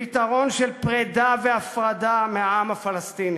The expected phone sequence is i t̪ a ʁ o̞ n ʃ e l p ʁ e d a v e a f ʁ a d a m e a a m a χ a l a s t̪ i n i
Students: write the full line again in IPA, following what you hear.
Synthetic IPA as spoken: i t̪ a ʁ o̞ n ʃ e l p ʁ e d a v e a f ʁ a d a m e a a m a f a l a s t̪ i n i